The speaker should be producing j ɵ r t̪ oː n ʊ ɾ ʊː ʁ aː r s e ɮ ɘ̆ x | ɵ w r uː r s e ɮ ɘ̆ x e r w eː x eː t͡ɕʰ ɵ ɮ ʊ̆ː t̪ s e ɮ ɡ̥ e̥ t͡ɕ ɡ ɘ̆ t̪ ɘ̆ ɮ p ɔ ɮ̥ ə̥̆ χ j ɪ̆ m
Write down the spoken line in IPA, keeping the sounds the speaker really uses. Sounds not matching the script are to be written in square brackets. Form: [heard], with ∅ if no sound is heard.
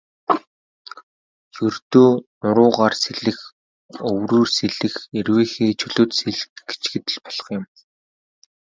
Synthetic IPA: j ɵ r t̪ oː n ʊ ɾ ʊː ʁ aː r s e ɮ ɘ̆ x | ɵ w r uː r s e ɮ ɘ̆ x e r w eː x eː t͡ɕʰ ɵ ɮ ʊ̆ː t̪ s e ɮ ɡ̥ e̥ t͡ɕ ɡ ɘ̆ t̪ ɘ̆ ɮ p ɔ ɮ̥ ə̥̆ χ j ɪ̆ m